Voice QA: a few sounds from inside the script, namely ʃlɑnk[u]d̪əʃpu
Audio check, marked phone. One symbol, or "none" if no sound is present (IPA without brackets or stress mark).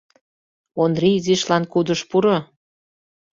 u